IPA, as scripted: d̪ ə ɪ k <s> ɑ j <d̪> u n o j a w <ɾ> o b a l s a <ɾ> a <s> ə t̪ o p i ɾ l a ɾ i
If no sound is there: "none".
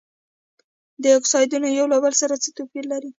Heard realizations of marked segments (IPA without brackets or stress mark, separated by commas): s, d̪, l, ɾ, t͡s